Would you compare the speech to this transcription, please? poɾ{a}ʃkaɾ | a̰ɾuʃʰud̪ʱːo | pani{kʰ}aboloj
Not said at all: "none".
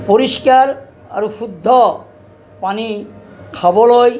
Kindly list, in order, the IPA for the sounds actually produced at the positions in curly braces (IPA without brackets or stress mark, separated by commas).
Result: i, kʰ